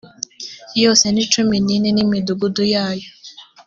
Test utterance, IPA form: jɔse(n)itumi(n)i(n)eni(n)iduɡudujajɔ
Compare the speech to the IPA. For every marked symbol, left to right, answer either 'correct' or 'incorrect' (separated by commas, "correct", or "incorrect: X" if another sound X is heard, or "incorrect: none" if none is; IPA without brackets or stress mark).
correct, correct, correct, incorrect: m